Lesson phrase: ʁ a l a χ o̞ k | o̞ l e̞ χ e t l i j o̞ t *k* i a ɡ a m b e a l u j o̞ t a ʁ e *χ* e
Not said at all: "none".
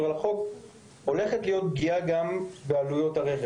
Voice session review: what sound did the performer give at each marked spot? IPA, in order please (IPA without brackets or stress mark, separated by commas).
ɡ, χ